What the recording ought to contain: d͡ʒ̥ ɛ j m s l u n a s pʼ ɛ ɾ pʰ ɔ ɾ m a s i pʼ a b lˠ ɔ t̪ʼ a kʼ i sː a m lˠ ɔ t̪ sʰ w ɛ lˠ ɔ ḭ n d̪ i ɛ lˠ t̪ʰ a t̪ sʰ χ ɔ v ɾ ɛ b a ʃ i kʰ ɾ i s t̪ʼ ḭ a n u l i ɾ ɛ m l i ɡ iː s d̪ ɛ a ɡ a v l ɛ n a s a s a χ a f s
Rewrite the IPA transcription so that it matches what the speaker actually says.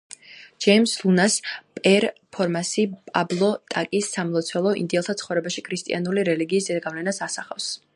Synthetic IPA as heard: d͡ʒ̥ ɛ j m s l u n a s pʼ ɛ ɾ pʰ ɔ ɾ m a s i pʼ a b lˠ ɔ t̪ʼ a kʼ i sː a m lˠ ɔ t̪ sʰ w ɛ lˠ ɔ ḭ n d̪ i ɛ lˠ t̪ʰ a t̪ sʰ χ ɔ v ɾ ɛ b a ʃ i kʰ ɾ i s t̪ʼ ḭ a n u l i ɾ ɛ l i ɡ iː s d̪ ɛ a ɡ a v l ɛ n a s a s a χ a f s